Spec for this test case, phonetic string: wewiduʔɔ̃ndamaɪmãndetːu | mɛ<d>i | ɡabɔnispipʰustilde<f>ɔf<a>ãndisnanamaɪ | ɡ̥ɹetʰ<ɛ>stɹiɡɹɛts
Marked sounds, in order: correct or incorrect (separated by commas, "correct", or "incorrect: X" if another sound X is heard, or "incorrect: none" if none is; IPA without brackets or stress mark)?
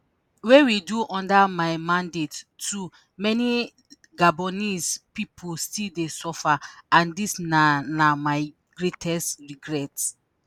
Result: incorrect: n, incorrect: s, correct, correct